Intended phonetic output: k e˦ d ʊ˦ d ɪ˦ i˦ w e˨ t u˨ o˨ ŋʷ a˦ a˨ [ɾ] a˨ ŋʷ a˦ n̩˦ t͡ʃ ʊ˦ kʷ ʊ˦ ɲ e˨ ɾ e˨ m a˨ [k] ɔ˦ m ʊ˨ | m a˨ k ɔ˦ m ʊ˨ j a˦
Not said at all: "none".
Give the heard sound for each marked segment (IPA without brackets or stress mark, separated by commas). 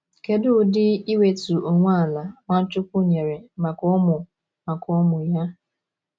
l, k